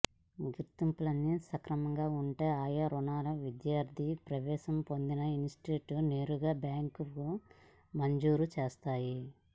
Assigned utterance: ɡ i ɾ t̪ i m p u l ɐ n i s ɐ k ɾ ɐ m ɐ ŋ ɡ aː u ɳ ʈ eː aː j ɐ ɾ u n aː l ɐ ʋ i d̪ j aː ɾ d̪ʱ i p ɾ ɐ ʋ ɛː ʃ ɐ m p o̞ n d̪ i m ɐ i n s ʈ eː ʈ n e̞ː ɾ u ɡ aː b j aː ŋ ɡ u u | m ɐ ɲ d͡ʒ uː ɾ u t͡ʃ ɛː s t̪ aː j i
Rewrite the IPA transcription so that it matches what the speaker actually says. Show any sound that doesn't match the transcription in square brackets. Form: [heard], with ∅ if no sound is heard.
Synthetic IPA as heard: ɡ i ɾ t̪ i m p u l ɐ [nː] i s ɐ k ɾ ɐ m ɐ ŋ ɡ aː u ɳ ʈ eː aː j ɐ ɾ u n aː l ɐ ʋ i d̪ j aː ɾ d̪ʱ i p ɾ ɐ ʋ ɛː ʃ ɐ m p o̞ n d̪ i [n] ɐ i n s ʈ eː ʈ n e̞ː ɾ u ɡ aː b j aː ŋ [k] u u | m ɐ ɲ d͡ʒ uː ɾ u t͡ʃ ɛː s t̪ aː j i